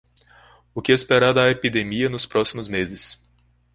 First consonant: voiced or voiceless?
voiceless